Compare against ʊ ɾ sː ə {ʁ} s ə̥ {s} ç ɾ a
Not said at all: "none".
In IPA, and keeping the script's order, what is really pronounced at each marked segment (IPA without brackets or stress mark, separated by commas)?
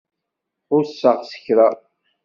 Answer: ʁ, none